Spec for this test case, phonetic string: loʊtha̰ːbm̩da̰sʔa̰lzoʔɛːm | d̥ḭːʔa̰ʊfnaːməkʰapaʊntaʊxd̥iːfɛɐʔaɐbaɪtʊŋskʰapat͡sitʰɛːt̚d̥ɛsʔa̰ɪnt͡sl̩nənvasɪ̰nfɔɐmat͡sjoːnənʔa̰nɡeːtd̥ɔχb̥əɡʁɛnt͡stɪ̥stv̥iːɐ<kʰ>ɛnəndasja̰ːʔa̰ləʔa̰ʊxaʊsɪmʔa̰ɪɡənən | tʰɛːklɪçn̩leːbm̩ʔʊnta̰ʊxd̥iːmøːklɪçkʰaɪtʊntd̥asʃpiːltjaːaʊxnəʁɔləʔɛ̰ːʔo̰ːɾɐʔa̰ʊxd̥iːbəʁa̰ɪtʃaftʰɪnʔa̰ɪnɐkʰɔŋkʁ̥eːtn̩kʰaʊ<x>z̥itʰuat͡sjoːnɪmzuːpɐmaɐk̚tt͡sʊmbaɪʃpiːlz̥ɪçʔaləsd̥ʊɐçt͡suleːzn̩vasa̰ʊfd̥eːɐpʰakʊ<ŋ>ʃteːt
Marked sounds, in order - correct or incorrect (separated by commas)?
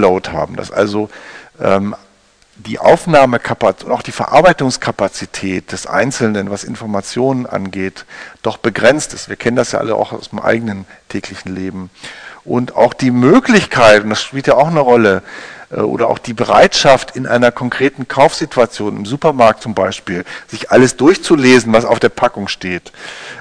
correct, incorrect, correct